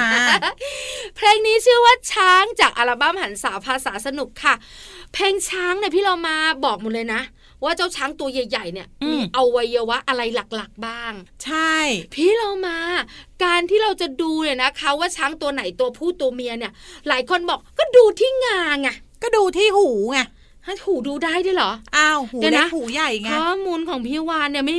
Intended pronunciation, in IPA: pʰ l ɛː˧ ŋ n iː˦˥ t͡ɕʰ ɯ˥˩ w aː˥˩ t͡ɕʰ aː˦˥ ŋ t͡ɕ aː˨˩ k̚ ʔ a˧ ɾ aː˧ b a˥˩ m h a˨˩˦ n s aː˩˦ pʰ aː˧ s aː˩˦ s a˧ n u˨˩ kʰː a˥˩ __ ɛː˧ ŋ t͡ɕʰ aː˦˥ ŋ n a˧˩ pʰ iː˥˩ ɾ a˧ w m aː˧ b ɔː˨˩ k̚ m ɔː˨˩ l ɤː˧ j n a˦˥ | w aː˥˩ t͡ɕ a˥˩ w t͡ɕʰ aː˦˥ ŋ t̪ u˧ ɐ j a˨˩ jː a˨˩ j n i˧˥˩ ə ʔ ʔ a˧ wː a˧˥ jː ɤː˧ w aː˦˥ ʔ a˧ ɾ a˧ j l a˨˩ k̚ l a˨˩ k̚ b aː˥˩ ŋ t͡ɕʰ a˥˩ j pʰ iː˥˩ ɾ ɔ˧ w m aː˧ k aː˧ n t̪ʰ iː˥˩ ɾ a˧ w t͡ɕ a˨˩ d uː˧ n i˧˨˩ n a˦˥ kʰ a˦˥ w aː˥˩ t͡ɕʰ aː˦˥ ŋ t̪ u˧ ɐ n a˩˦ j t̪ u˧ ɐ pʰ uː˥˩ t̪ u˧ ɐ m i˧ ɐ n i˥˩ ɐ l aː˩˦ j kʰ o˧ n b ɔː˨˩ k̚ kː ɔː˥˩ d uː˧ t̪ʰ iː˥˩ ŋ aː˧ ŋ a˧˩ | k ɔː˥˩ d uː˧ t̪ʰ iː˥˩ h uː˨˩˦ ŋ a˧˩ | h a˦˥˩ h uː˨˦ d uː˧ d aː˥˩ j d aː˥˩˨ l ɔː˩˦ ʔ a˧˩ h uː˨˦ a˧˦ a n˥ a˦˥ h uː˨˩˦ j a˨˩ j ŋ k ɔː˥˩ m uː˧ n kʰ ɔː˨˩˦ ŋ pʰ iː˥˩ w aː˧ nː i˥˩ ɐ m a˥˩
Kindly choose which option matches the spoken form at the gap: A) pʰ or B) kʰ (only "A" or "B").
A